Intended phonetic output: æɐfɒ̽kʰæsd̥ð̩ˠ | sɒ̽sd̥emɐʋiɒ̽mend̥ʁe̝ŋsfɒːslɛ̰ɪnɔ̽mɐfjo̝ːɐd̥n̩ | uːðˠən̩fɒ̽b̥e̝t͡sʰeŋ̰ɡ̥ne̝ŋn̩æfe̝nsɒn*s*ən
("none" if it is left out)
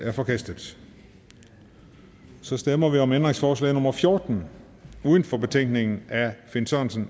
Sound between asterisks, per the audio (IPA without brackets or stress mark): s